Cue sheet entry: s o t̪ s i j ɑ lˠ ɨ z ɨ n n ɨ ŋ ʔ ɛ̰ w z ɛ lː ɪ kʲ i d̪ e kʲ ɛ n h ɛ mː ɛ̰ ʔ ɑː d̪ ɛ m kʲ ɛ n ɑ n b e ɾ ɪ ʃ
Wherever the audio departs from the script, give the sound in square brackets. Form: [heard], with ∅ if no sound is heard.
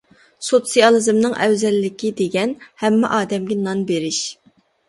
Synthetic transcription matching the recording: s o t̪ s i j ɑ lˠ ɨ z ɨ [m] n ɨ ŋ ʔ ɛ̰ w z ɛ lː ɪ kʲ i d̪ e [ɡʲ] ɛ n h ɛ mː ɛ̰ ʔ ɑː d̪ ɛ m [ɡʲ] ɛ n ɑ n b e ɾ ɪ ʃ